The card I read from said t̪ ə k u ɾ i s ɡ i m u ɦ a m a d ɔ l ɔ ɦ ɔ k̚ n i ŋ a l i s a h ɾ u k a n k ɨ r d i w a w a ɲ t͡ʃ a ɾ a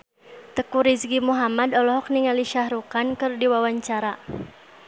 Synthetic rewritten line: t̪ ə k u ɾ i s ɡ i m u ɦ a m a d ɔ l ɔ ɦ ɔ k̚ n i ŋ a l i ʃ a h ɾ u k a n k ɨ r d i w a w a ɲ t͡ʃ a ɾ a

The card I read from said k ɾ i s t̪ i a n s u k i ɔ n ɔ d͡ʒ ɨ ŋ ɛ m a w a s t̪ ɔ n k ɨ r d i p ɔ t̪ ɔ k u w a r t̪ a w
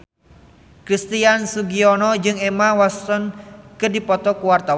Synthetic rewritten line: k ɾ i s t̪ i a n s u ɡ i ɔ n ɔ d͡ʒ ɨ ŋ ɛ m a w a s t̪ ɔ n k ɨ r d i p ɔ t̪ ɔ k u w a r t̪ a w

